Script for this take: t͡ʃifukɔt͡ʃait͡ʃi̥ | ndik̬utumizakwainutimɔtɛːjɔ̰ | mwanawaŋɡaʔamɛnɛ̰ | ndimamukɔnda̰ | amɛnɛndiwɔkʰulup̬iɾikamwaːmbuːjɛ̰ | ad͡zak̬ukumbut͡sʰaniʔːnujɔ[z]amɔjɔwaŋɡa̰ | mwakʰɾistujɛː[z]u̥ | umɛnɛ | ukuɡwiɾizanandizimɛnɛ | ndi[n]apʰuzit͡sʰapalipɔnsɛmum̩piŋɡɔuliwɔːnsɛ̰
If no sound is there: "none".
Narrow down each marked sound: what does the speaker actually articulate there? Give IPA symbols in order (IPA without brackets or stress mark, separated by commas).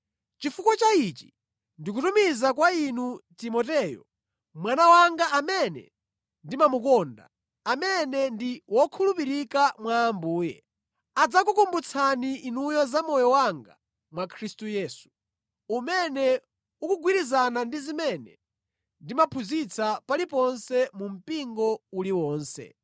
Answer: z, s, m